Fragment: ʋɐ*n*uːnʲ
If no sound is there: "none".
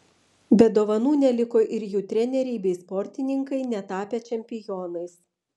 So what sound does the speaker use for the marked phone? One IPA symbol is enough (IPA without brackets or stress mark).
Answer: n